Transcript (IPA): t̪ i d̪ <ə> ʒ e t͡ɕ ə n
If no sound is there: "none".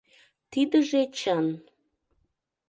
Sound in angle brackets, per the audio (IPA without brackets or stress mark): ə